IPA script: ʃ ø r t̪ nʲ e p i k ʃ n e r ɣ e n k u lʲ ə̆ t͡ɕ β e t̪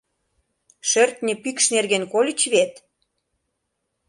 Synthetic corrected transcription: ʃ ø r t̪ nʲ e p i k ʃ n e r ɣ e n k o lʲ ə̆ t͡ɕ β e t̪